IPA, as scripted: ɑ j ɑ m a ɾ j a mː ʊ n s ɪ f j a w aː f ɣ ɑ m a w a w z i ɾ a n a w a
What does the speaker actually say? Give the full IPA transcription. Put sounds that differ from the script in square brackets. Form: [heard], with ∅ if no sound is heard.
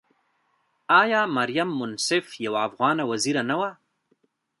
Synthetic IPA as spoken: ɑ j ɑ m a ɾ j a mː ʊ n s ɪ f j a w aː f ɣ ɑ [n] a w a [∅] z i ɾ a n a w a